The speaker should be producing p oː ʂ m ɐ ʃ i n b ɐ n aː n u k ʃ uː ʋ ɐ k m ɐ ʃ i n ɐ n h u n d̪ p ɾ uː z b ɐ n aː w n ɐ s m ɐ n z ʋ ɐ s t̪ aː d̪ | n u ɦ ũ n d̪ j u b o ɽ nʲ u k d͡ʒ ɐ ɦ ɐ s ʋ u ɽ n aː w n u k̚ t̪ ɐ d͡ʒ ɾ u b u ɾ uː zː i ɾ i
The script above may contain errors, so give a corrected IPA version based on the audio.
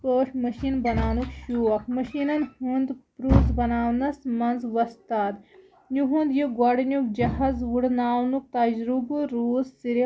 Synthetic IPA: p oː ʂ m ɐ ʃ i n b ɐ n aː n u k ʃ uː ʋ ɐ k m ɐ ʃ i n ɐ n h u n d̪ p ɾ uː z b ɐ n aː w n ɐ s m ɐ n z ʋ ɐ s t̪ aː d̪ | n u ɦ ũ n d̪ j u ɡ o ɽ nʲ u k d͡ʒ ɐ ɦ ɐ z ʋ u ɽ n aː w n u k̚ t̪ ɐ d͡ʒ ɾ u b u ɾ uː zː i ɾ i